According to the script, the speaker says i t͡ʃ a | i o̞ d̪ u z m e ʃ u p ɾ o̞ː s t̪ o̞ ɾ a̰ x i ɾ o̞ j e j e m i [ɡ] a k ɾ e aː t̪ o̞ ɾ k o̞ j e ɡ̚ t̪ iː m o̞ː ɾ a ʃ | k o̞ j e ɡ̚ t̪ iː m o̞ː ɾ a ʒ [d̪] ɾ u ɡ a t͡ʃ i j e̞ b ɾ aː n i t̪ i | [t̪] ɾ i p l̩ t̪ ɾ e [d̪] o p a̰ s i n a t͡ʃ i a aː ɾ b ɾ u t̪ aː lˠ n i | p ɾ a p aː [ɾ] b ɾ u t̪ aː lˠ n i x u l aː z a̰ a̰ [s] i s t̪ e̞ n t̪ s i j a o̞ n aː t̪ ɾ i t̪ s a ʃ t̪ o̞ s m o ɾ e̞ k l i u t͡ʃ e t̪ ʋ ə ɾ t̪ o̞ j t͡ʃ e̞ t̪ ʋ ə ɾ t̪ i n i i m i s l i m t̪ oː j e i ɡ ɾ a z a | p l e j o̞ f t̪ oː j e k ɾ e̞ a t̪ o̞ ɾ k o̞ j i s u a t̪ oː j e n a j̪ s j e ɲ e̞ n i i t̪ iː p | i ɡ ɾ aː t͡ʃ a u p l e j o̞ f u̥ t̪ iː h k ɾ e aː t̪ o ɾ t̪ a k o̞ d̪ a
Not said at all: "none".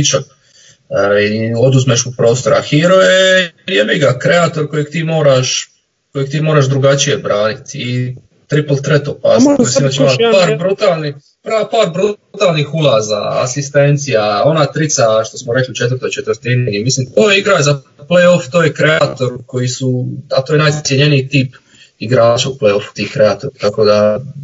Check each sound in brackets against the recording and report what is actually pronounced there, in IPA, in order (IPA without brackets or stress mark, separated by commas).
ɡ, d̪, t̪, t̪, ɾ, s